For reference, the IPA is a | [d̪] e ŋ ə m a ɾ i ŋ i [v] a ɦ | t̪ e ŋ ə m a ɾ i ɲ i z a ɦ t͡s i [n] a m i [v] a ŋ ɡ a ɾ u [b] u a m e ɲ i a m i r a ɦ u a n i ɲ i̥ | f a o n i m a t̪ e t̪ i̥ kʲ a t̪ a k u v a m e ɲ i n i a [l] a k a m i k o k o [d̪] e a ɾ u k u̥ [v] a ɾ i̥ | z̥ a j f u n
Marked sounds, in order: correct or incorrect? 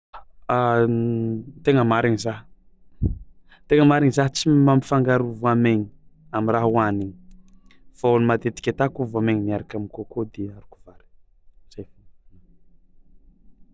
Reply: incorrect: t̪, incorrect: z, incorrect: m, incorrect: f, incorrect: v, incorrect: ɾ, correct, correct

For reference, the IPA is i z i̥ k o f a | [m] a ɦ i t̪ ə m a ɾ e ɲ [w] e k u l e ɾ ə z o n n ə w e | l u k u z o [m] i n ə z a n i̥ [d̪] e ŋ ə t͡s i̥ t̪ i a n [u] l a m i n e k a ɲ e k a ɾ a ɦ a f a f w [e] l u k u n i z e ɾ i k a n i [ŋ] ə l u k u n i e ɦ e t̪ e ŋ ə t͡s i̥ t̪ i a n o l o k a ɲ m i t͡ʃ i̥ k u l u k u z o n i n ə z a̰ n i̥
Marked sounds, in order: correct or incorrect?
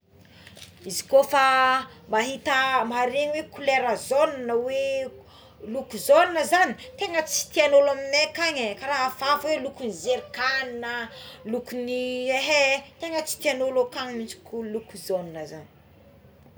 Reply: correct, correct, incorrect: n, incorrect: t̪, incorrect: o, correct, incorrect: n

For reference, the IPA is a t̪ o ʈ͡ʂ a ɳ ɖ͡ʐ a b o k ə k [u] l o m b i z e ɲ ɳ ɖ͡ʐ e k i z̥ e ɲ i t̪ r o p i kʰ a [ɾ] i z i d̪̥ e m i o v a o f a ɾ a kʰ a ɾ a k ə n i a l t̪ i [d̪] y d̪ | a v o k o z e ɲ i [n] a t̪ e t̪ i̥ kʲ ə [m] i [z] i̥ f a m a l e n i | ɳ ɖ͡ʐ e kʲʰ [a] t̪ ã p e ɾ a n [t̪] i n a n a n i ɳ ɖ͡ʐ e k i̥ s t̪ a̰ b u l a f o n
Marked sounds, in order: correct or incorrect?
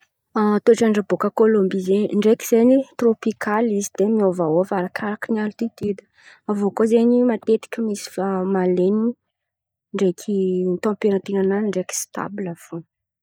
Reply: incorrect: o, incorrect: l, incorrect: t̪, incorrect: m, correct, incorrect: s, incorrect: i, correct

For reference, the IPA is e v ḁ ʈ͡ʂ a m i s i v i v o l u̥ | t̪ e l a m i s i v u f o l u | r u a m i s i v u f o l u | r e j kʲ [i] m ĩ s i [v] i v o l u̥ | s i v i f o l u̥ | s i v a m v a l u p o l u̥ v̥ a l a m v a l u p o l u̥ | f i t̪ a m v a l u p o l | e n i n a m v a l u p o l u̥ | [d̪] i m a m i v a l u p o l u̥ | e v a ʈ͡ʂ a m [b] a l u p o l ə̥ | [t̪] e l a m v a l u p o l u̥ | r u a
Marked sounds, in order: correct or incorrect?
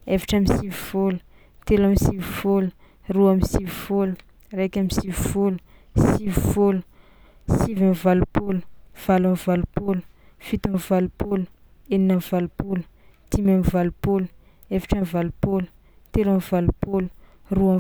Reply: incorrect: a, correct, incorrect: t̪, incorrect: v, correct

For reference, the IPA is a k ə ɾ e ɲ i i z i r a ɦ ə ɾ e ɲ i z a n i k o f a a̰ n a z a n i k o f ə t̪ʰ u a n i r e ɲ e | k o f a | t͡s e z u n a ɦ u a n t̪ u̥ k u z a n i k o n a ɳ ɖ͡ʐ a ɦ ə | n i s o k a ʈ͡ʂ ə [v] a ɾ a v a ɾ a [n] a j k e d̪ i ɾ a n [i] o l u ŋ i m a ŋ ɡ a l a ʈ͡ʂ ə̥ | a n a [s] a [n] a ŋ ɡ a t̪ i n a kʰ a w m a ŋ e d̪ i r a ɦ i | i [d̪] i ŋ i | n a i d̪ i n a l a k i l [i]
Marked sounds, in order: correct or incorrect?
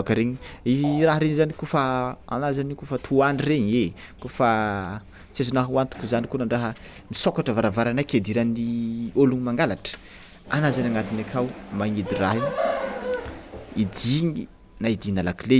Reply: correct, correct, correct, incorrect: z, correct, correct, incorrect: e

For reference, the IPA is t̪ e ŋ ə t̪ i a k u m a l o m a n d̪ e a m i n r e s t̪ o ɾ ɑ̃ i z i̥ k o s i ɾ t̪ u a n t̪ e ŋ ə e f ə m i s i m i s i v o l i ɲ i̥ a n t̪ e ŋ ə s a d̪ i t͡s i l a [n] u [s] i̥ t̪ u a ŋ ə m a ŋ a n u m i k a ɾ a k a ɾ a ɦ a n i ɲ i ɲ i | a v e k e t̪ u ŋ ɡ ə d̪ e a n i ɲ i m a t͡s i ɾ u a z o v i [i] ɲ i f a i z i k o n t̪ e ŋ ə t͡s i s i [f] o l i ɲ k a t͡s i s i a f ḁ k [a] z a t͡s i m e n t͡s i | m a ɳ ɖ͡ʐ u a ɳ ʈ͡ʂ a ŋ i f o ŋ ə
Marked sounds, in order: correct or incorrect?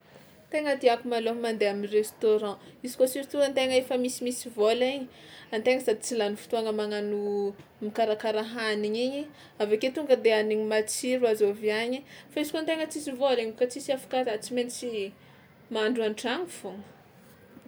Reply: correct, incorrect: f, incorrect: a, incorrect: v, correct

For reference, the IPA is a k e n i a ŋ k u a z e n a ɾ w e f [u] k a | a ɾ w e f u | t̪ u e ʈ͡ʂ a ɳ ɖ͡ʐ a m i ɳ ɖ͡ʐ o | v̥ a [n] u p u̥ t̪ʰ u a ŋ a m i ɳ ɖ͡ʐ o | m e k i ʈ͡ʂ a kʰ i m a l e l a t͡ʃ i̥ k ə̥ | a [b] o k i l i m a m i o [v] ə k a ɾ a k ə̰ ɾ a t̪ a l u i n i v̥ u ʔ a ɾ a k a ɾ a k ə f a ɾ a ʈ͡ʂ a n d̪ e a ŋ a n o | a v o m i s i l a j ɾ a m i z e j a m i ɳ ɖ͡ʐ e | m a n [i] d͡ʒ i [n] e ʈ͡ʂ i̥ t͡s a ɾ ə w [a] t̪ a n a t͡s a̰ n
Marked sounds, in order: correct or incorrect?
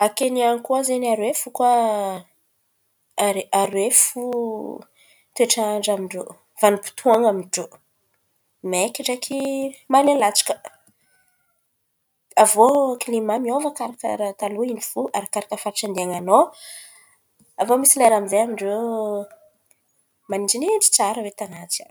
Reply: correct, correct, incorrect: v, correct, correct, correct, incorrect: e

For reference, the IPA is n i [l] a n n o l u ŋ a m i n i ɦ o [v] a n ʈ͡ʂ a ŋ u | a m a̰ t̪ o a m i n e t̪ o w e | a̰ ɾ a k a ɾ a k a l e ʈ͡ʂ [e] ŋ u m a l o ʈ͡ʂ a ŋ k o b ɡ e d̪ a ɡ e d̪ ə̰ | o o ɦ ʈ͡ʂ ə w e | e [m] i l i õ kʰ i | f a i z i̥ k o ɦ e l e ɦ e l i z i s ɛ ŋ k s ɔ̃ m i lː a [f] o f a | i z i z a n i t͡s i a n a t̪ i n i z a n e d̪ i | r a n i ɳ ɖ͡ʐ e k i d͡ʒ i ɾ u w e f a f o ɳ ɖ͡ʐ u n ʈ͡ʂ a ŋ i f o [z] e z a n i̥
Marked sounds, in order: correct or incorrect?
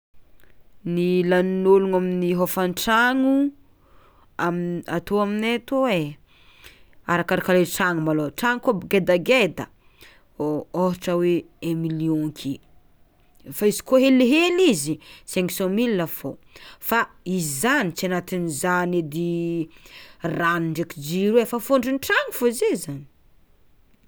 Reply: correct, incorrect: f, incorrect: a, correct, correct, correct

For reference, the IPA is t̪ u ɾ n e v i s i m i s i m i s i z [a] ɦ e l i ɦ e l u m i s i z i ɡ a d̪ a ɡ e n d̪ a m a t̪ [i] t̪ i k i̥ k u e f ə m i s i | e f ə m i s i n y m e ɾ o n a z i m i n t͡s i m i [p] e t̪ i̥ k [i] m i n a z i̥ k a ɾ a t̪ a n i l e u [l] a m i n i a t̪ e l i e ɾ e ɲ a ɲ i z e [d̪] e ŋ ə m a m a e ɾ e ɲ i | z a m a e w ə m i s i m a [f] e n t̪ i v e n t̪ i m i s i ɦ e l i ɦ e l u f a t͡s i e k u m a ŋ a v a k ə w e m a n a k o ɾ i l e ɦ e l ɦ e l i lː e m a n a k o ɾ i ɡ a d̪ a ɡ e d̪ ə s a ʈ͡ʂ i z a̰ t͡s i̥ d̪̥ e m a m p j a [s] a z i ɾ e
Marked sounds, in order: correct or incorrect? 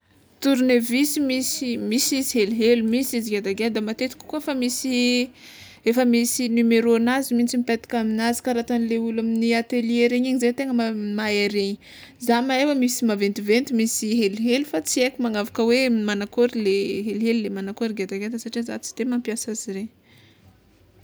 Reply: incorrect: i, incorrect: e, correct, incorrect: a, correct, incorrect: t̪, incorrect: v, correct

